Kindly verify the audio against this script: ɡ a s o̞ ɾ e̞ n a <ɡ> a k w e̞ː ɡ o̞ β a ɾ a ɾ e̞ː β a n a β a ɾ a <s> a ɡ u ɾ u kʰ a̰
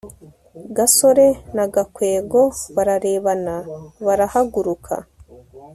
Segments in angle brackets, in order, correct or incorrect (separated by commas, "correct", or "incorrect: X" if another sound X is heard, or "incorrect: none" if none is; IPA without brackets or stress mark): correct, incorrect: h